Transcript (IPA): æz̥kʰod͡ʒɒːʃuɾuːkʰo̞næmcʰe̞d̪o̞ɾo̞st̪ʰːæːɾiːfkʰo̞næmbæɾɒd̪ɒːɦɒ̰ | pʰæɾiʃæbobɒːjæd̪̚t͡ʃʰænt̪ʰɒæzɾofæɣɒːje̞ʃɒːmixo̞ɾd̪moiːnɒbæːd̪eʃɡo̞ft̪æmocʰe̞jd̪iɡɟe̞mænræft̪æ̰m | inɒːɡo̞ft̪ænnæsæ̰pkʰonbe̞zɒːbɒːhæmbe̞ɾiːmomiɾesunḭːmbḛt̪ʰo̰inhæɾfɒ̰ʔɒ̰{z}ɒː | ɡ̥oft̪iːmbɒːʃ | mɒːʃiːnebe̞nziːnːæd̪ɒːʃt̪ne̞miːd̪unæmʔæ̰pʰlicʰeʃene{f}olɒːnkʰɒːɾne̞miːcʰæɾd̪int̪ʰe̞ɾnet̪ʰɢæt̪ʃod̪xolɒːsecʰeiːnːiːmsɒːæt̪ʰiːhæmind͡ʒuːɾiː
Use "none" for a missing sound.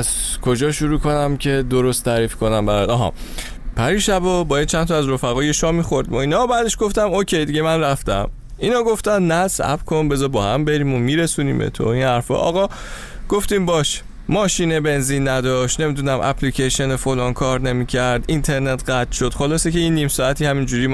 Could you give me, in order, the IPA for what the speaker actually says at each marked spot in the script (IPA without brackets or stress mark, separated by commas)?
ɣ, f